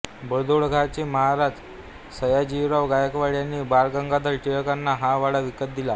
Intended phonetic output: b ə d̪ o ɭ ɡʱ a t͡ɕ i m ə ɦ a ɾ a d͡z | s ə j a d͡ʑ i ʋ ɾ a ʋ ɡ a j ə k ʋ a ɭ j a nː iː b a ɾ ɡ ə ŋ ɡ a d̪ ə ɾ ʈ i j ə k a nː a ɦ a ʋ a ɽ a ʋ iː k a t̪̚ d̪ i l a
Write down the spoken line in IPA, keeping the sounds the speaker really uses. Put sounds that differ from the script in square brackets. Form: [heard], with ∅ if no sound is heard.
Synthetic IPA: b ə d̪ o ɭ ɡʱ a t͡ɕ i m ə ɦ a ɾ a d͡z | s ə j a d͡ʑ i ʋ ɾ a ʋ ɡ a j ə k ʋ a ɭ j a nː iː b a ɾ ɡ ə ŋ ɡ a d̪ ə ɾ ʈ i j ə k a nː a ɦ a ʋ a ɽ a ʋ [i] k [ə] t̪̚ d̪ i l a